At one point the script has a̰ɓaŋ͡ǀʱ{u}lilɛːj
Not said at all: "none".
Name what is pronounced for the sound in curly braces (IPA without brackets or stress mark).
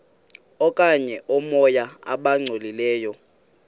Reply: o